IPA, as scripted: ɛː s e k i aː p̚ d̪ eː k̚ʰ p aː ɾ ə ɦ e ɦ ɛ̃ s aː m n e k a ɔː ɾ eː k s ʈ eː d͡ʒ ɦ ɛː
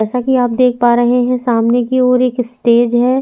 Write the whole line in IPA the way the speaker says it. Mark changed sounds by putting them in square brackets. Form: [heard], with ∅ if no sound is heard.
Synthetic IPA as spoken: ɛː s [a] k i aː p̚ d̪ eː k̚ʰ p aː ɾ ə ɦ e ɦ ɛ̃ s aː m n e k [i] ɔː ɾ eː k s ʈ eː d͡ʒ ɦ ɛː